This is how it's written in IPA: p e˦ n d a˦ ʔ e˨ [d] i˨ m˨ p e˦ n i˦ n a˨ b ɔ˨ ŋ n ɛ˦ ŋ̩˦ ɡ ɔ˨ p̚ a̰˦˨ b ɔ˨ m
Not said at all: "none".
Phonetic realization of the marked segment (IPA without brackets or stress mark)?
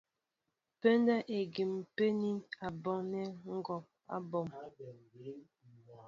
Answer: ɡ